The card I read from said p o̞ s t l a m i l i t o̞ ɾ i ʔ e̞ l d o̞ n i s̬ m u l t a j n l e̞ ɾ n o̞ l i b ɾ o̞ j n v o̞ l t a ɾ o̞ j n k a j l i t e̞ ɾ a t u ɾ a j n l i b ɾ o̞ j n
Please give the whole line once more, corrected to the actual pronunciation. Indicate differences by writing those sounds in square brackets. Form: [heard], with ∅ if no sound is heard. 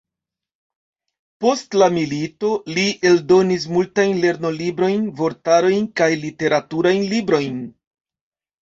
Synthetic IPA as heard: p o̞ s t l a m i l i t o̞ [l] i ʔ e̞ l d o̞ n i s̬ m u l t a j n l e̞ ɾ n o̞ l i b ɾ o̞ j n v o̞ [ɾ] t a ɾ o̞ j n k a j l i t e̞ ɾ a t u ɾ a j n l i b ɾ o̞ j n